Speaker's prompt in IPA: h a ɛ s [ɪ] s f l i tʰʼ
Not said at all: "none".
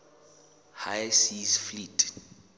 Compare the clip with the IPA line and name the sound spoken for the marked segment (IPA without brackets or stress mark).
i